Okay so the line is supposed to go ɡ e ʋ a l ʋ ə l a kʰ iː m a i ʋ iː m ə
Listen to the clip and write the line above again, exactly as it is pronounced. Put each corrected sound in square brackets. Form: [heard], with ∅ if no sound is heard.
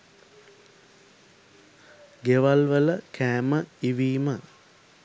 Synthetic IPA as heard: ɡ e ʋ a l ʋ ə l [ə] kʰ [æː] m [ə] i ʋ iː m ə